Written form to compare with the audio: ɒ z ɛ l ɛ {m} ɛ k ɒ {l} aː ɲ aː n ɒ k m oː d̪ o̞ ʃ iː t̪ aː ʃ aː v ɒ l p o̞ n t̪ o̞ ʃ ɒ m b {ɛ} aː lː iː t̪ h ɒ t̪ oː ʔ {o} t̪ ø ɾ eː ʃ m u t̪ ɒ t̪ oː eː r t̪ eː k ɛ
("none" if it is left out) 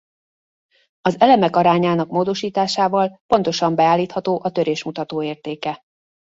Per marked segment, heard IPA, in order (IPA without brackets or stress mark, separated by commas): m, ɾ, ɛ, ɒ